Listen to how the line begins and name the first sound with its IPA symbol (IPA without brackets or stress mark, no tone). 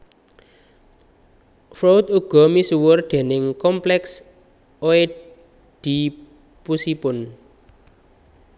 f